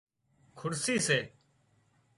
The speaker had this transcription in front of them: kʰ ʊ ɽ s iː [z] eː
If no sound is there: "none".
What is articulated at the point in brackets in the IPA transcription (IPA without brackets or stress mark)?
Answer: s